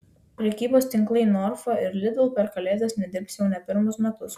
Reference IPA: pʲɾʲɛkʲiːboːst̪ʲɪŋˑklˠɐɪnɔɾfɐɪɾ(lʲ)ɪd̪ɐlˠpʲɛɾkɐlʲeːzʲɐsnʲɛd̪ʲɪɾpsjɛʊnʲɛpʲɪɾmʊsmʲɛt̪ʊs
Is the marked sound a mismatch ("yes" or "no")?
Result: no